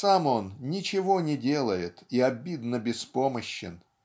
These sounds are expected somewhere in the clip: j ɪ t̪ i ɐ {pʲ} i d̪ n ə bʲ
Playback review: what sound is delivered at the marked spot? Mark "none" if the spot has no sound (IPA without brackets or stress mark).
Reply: bʲ